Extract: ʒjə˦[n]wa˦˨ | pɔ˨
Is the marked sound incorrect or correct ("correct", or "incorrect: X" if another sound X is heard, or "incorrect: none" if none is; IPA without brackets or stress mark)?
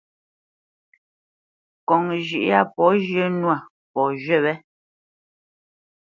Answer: correct